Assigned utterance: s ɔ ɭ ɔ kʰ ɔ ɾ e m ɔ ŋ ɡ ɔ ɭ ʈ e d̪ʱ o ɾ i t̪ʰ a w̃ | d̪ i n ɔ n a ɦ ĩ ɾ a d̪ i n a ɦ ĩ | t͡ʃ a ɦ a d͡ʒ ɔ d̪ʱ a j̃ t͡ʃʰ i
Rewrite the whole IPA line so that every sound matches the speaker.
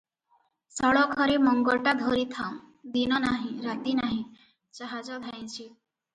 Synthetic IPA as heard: s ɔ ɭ ɔ kʰ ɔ ɾ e m ɔ ŋ ɡ ɔ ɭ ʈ a d̪ʱ o ɾ i t̪ʰ a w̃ | d̪ i n ɔ n a ɦ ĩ ɾ a t̪ i n a ɦ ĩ | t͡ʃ a ɦ a d͡ʒ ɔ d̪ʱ a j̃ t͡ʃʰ i